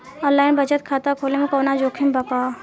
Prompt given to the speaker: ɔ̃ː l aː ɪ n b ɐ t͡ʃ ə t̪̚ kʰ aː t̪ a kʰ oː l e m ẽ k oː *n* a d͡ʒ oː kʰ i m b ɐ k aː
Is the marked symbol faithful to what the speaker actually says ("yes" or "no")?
yes